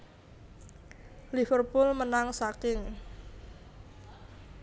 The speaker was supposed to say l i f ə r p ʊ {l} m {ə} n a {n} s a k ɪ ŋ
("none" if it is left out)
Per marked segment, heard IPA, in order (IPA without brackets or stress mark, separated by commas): l, ə, ŋ